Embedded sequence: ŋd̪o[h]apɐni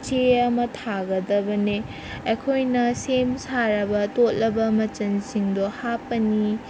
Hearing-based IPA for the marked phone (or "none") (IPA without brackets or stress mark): h